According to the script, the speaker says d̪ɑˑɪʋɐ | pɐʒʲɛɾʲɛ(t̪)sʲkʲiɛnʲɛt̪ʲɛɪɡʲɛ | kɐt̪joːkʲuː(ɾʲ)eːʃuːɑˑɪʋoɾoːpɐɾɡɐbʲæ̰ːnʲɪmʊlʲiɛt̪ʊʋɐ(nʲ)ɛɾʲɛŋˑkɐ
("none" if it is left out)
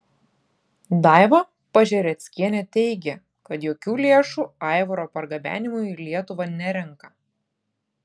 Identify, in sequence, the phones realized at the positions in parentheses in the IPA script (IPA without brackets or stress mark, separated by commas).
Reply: t̪, lʲ, nʲ